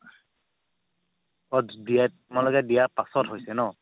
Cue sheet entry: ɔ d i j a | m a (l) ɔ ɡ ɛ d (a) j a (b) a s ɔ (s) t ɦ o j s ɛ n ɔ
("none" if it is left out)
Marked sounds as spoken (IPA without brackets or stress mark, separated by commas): l, i, p, none